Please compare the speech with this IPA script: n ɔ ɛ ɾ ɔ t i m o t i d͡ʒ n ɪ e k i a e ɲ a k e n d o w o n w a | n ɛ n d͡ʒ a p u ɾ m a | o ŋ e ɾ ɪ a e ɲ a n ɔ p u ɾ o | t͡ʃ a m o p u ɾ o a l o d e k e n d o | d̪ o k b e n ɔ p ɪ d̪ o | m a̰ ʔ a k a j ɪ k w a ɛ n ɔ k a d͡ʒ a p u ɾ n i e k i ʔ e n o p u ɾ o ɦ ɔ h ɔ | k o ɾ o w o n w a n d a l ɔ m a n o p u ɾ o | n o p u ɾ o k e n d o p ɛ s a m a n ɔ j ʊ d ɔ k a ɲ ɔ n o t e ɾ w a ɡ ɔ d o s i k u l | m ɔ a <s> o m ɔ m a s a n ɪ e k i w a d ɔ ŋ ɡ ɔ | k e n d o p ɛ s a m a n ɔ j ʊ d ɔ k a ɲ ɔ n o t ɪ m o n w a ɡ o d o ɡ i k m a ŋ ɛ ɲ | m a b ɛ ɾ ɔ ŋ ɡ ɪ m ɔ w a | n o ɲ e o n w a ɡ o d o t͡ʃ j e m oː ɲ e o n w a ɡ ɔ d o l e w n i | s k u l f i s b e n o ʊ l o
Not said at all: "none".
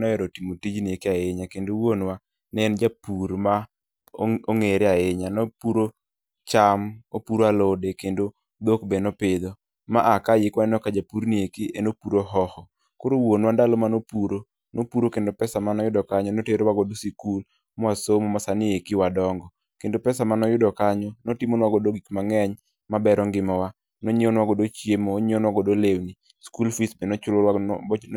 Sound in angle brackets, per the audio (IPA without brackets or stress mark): s